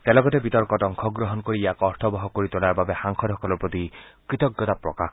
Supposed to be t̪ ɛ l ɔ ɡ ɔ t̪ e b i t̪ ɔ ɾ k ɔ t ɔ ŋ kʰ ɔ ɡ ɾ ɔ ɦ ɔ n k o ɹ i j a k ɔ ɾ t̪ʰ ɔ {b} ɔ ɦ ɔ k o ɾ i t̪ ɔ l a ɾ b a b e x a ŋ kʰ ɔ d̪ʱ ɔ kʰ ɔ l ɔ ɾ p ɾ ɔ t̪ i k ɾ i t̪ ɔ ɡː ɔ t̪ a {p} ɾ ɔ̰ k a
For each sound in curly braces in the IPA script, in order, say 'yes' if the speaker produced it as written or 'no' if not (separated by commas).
yes, yes